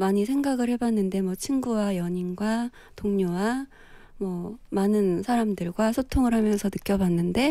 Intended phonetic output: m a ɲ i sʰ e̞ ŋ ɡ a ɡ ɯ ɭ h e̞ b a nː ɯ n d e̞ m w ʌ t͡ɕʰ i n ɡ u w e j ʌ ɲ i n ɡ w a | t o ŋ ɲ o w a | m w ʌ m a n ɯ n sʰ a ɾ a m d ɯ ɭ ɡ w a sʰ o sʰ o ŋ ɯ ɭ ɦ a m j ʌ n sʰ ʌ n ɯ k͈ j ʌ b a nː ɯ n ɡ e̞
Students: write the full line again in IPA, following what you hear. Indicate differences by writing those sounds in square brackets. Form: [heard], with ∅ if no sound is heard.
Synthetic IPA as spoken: m a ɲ i sʰ e̞ ŋ ɡ a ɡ ɯ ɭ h e̞ b a nː ɯ n d e̞ m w ʌ t͡ɕʰ i n ɡ u w [a] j ʌ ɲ i n ɡ w a | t o ŋ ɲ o w a | m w ʌ m a n ɯ n sʰ a ɾ a m d ɯ ɭ ɡ w a sʰ o [tʰ] o ŋ ɯ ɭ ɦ a m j ʌ n sʰ ʌ n ɯ k͈ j ʌ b a nː ɯ n [d] e̞